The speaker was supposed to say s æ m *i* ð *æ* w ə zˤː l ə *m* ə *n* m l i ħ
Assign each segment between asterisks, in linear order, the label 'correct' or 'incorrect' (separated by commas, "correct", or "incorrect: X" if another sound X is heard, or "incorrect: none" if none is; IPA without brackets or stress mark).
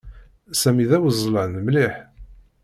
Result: correct, correct, incorrect: n, incorrect: none